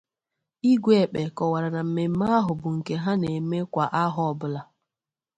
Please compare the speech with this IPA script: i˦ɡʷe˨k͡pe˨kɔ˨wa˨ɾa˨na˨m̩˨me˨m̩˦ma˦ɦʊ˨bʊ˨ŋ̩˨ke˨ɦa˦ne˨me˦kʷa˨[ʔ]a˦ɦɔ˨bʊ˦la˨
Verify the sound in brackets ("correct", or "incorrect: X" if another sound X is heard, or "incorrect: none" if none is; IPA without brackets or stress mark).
correct